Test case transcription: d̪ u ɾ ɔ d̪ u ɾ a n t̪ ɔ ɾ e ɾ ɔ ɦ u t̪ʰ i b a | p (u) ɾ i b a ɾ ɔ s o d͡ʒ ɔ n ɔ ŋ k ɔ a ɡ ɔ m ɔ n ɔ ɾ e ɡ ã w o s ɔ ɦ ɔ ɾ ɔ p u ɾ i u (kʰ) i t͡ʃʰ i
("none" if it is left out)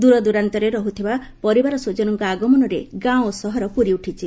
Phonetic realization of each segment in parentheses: ɔ, ʈʰ

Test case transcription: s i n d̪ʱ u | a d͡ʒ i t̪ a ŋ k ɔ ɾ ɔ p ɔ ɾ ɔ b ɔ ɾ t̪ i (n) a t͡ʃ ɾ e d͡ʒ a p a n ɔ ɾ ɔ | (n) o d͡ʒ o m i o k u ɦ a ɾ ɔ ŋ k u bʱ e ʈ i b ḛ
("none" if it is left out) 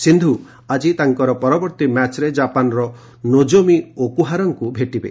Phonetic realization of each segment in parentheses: m, n

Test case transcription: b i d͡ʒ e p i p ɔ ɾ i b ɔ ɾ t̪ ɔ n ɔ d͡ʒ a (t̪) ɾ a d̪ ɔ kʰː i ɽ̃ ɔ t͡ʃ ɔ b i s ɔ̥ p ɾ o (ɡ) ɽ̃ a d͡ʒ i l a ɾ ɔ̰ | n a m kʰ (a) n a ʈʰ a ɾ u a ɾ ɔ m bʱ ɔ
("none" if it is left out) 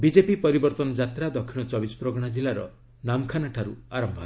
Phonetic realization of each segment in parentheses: t̪, ɡ, a

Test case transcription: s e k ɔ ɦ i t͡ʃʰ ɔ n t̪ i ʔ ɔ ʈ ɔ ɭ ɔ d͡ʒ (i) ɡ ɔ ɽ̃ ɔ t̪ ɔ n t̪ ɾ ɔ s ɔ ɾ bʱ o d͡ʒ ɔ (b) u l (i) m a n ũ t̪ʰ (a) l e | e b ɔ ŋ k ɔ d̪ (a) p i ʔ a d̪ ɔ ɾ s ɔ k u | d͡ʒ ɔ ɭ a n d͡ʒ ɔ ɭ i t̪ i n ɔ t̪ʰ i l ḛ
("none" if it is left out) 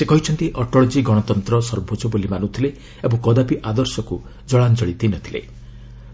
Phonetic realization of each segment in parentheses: i, b, i, i, a

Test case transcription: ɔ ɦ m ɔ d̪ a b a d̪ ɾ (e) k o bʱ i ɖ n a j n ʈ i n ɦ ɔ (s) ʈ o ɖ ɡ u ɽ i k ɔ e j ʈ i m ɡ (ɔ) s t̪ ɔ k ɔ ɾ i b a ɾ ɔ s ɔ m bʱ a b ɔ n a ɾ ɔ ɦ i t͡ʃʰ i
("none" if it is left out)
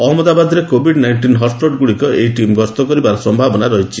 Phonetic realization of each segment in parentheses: e, s, ɔ

